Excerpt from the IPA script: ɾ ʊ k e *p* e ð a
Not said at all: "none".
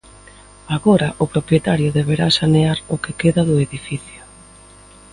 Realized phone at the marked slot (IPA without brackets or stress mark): k